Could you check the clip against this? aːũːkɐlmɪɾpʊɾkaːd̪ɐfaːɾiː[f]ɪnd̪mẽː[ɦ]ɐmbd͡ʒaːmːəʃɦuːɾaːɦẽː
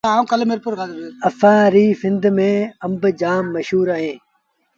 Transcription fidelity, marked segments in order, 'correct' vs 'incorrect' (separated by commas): correct, incorrect